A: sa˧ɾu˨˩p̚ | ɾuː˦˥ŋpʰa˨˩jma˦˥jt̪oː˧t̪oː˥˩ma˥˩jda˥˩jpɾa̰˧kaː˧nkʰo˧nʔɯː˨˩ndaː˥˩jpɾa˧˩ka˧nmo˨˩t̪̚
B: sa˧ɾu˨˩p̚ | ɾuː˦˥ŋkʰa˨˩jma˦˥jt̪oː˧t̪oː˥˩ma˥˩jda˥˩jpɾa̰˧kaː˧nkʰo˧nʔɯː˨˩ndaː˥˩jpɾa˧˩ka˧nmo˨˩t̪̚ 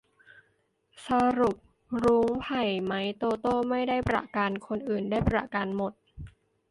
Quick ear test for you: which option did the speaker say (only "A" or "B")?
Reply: A